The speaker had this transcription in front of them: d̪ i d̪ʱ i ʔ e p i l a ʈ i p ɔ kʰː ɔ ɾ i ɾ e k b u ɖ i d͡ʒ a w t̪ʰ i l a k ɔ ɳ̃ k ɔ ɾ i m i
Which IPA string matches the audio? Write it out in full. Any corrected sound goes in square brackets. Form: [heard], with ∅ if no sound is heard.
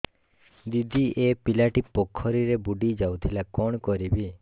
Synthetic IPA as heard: d̪ i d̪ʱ i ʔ e p i l a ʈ i p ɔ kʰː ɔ ɾ i ɾ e [∅] b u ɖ i d͡ʒ a w t̪ʰ i l a k ɔ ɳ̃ k ɔ ɾ i [b] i